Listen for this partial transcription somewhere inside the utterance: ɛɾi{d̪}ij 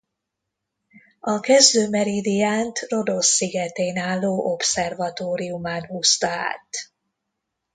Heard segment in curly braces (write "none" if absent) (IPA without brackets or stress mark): d̪